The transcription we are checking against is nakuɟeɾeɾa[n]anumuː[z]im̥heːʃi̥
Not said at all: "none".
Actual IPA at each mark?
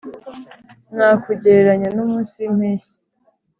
ɲ, s

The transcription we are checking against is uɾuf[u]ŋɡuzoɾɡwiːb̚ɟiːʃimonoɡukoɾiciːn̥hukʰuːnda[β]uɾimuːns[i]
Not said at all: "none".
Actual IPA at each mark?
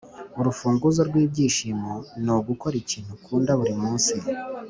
uː, β, i

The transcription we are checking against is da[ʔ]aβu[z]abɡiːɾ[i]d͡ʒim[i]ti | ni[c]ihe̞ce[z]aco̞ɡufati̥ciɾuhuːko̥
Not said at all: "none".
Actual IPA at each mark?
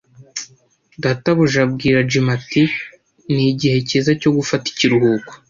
t, ʒ, a, a, ɟ, z

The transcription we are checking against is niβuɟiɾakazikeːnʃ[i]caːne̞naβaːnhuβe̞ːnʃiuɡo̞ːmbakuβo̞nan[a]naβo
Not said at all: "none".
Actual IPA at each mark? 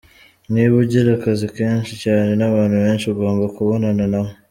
i, a

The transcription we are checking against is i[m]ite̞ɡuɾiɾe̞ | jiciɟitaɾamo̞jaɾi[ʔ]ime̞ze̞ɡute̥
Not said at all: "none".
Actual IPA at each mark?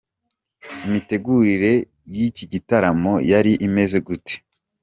m, ʔ

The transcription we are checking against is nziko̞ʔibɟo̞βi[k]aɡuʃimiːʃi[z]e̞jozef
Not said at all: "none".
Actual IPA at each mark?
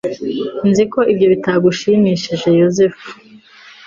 t, ʒ

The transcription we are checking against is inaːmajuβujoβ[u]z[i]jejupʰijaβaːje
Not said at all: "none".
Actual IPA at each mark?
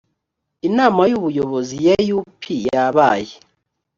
o, i

